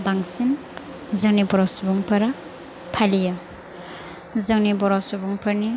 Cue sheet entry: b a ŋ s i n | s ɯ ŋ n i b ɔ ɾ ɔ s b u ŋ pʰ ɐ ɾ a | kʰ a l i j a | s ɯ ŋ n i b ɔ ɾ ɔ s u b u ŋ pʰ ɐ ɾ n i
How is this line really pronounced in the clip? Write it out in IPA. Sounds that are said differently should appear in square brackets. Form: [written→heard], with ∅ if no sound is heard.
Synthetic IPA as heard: b a ŋ s i n | [s→z] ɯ ŋ n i b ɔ ɾ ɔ s b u ŋ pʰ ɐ ɾ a | [kʰ→pʰ] a l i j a | [s→z] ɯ ŋ n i b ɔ ɾ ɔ s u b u ŋ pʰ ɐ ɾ n i